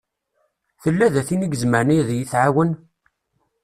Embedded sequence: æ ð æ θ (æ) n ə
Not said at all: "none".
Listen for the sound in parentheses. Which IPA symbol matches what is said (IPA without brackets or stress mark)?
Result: i